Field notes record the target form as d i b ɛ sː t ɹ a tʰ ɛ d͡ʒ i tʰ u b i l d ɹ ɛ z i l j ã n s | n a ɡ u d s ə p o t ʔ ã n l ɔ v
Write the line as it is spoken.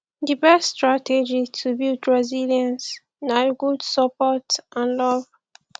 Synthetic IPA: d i b ɛ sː t ɹ a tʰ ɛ d͡ʒ i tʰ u b i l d ɹ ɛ z i l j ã n s | n a ɡ u d s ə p ɔ t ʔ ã n l ɔ v